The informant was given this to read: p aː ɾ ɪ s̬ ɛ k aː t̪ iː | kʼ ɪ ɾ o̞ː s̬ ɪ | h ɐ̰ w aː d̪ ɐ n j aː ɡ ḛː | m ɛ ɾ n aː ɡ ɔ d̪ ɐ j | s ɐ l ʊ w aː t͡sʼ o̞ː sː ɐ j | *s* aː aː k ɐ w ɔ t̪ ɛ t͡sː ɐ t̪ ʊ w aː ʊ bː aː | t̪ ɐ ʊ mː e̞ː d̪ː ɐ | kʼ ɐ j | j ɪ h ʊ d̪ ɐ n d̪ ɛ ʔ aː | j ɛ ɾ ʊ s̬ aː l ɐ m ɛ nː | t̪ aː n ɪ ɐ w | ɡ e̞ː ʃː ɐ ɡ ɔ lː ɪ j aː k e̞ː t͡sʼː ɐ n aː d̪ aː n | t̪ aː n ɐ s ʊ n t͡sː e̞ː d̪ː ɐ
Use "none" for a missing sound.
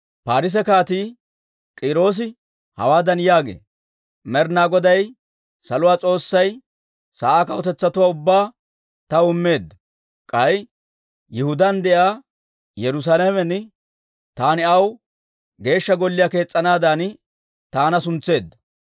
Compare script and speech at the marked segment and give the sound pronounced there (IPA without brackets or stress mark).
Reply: s